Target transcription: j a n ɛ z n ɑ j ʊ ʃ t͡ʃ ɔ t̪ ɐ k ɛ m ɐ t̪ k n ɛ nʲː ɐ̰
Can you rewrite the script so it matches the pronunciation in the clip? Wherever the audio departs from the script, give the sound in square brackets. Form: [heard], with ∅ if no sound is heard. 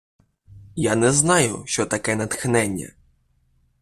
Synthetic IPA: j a n ɛ z n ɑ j ʊ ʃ t͡ʃ ɔ t̪ ɐ k ɛ [n] ɐ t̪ [x] n ɛ nʲː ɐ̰